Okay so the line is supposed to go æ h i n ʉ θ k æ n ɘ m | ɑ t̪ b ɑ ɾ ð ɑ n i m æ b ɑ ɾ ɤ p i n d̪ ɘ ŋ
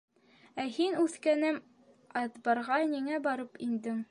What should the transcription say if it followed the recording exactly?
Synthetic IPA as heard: æ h i n ʉ θ k æ n ɘ m | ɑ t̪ b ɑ ɾ ʁ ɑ n i ŋ æ b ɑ ɾ ɤ p i n d̪ ɘ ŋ